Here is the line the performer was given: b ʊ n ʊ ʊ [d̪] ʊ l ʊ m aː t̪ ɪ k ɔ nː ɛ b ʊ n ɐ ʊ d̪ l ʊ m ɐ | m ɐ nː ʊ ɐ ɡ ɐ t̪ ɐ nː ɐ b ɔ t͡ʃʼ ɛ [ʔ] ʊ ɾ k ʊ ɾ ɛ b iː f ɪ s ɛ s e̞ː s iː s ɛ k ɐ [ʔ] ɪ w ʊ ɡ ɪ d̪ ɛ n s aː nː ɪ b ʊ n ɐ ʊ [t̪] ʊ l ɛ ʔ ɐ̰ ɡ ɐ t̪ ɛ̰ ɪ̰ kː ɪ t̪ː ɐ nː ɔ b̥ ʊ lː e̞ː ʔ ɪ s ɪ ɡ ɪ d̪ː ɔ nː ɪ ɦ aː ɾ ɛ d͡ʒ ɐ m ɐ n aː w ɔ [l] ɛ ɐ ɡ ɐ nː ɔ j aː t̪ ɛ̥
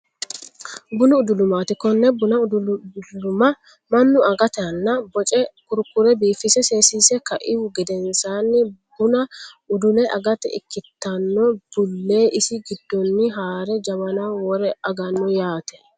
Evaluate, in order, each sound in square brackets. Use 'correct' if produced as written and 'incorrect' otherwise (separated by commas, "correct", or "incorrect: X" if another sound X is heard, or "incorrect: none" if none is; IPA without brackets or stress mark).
correct, incorrect: k, correct, incorrect: d̪, incorrect: ɾ